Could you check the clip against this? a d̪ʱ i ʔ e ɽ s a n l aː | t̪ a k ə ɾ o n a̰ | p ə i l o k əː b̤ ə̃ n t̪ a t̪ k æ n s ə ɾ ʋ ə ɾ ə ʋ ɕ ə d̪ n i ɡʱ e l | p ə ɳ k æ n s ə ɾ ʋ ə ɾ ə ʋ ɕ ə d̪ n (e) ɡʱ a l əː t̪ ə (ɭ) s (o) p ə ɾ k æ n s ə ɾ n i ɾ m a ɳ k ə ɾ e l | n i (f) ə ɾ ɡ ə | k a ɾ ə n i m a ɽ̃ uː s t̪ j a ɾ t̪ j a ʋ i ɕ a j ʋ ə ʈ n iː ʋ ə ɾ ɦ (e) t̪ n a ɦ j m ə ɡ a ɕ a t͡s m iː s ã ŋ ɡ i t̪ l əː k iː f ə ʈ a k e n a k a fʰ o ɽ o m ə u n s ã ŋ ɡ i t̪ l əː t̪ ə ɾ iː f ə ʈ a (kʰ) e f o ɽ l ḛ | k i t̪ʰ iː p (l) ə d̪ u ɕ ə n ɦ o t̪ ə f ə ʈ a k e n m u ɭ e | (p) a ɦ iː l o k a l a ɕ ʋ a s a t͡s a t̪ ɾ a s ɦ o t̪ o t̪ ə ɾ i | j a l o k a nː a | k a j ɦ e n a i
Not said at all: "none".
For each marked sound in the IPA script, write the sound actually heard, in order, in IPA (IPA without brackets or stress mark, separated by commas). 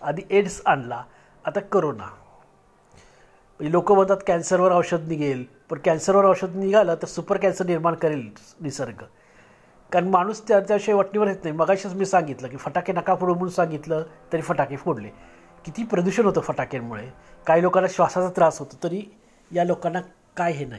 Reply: i, ɾ, u, s, e, k, ɾ, k